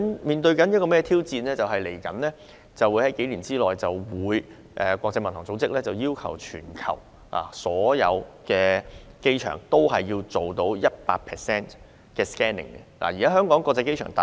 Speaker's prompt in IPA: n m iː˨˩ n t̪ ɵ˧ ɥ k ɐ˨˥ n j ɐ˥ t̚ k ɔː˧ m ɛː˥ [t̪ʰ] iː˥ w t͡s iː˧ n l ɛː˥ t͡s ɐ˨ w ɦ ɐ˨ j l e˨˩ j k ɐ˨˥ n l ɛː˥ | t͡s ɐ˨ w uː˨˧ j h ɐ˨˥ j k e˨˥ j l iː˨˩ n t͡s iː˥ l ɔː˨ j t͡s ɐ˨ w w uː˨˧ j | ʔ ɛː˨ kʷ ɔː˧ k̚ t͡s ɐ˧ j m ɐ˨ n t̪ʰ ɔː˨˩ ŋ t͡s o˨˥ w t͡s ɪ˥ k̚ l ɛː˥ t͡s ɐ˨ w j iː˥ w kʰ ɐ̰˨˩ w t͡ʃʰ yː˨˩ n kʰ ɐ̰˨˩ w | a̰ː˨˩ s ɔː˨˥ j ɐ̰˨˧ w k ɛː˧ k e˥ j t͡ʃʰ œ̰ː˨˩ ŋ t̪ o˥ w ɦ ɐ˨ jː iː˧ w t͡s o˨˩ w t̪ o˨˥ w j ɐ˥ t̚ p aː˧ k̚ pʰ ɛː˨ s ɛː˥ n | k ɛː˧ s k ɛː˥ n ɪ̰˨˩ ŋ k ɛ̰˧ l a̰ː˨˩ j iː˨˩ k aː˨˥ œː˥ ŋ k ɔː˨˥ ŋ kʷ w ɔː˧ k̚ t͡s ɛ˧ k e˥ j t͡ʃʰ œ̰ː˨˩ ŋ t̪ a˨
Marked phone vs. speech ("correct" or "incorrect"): correct